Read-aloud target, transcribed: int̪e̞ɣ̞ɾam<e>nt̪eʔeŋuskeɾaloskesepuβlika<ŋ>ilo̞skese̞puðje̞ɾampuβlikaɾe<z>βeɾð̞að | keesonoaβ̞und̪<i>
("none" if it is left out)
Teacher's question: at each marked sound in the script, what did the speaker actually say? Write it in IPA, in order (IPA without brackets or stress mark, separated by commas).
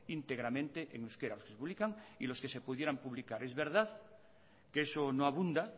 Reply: ẽ, ŋ, z, a